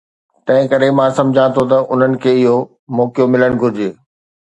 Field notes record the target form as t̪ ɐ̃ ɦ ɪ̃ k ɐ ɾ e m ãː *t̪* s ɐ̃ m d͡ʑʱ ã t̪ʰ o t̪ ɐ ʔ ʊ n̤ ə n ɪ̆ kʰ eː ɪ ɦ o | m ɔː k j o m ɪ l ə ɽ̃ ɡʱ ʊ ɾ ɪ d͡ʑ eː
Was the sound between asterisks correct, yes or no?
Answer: no